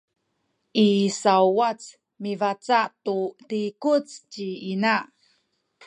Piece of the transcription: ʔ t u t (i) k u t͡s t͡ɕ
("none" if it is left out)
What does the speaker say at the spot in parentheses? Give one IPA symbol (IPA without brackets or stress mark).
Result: i